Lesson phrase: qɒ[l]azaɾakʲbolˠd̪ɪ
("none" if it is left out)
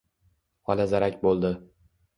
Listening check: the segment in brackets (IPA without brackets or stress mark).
l